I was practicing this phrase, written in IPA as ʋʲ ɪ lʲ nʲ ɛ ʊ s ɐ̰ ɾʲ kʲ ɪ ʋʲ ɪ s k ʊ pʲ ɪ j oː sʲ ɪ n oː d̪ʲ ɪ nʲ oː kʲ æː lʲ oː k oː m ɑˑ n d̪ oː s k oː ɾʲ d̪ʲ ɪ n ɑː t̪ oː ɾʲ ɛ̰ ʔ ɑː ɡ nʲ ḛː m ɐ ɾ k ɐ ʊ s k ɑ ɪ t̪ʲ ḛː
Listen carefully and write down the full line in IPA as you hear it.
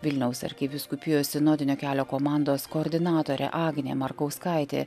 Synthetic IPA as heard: ʋʲ ɪ lʲ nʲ ɛ ʊ s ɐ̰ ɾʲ kʲ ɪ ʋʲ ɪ s k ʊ pʲ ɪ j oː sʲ ɪ n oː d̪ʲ ɪ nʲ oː kʲ æː lʲ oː k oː m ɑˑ n d̪ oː s k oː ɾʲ d̪ʲ ɪ n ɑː t̪ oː ɾʲ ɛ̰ ʔ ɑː ɡ nʲ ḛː m ɐ ɾ k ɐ ʊ s k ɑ ɪ t̪ʲ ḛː